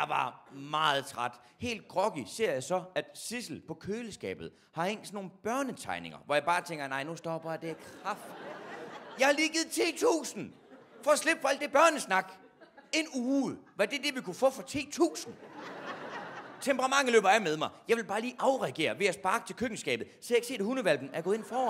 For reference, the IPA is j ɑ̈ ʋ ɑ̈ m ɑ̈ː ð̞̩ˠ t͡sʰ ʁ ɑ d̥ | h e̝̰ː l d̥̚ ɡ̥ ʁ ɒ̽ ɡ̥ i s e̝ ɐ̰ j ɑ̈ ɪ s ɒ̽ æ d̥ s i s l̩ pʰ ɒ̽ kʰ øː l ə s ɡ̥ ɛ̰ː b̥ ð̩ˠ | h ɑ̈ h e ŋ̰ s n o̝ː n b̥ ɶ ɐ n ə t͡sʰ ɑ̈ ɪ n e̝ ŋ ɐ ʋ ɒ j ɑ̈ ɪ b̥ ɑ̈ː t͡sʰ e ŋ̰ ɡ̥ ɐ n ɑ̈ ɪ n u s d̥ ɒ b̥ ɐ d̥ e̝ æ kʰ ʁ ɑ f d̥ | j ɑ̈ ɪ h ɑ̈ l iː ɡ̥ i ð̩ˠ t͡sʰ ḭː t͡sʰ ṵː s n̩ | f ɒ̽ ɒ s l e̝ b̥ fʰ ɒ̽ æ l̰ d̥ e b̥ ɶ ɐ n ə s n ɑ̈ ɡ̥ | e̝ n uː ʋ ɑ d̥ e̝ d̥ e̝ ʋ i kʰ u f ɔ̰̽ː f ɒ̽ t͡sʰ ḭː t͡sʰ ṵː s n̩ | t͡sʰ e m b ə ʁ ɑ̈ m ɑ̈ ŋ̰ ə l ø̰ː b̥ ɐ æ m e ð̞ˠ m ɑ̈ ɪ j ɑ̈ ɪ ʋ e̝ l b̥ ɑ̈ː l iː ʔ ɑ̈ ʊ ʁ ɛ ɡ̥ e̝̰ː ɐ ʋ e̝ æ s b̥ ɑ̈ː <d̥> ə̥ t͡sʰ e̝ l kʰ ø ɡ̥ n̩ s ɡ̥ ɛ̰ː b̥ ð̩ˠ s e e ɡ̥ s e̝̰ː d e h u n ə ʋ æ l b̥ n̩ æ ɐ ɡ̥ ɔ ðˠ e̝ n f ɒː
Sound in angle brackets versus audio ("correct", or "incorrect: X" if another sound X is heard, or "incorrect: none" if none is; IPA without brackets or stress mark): incorrect: ɡ̥